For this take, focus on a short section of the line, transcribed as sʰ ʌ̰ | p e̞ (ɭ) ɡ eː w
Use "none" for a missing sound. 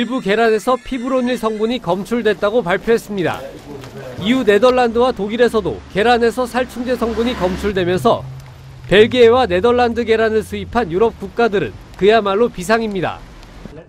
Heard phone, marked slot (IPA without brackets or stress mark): ɭ